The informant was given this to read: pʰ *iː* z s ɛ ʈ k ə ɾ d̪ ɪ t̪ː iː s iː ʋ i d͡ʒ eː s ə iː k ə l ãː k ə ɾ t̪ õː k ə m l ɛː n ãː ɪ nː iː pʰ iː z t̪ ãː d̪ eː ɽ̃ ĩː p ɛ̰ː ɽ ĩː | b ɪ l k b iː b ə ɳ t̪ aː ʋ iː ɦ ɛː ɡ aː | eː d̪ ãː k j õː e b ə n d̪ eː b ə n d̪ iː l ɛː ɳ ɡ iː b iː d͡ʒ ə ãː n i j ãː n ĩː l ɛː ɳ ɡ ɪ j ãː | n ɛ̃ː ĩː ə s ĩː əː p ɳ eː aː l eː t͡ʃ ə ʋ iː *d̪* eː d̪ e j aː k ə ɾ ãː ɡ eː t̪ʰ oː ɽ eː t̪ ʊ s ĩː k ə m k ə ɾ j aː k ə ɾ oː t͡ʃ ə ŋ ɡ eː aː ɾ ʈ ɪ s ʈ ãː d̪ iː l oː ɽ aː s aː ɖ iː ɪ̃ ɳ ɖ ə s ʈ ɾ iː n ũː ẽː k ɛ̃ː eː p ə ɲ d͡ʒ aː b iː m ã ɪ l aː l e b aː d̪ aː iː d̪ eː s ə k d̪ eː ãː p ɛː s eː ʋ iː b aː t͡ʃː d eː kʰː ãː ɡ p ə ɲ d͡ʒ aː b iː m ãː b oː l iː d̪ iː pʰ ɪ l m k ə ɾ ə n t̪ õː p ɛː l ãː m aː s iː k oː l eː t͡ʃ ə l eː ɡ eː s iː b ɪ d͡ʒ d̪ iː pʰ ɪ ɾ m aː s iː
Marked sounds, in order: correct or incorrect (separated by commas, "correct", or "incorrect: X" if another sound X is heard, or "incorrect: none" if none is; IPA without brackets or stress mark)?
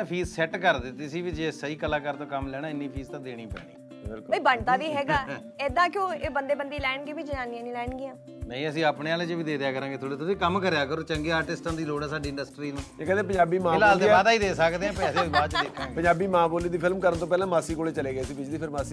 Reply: correct, correct